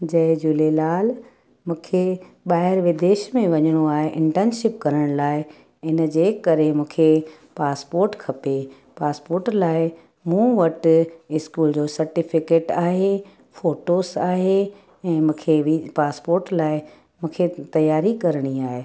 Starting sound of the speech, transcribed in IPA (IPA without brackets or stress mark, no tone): d͡ʑ